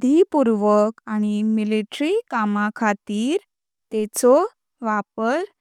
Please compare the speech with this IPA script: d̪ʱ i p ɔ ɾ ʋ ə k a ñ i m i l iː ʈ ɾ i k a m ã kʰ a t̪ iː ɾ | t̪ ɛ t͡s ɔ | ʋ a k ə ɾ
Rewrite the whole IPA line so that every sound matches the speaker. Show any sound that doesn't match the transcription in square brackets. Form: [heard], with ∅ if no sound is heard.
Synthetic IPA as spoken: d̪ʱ i p [u] ɾ ʋ ə k a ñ i m i l [i] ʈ ɾ i k a m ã kʰ a t̪ iː ɾ | t̪ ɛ t͡s ɔ | ʋ a [p] ə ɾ